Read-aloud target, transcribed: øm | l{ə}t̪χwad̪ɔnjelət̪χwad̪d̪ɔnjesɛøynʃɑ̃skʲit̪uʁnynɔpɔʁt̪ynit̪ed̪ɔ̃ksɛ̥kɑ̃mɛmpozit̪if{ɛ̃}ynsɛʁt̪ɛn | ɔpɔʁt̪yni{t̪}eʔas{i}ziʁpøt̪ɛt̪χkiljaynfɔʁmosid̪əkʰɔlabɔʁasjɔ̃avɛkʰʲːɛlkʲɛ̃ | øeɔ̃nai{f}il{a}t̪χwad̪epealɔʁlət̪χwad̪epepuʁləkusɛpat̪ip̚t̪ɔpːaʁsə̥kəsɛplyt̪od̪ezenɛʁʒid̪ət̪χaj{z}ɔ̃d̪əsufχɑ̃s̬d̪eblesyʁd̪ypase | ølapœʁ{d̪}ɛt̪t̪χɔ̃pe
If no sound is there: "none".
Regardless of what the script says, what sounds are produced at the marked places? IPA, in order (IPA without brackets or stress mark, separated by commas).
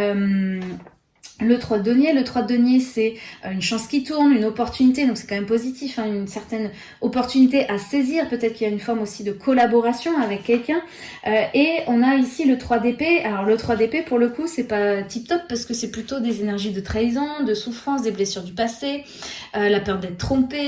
ə, ɛ̃, t̪, e, s, ə, z, d̪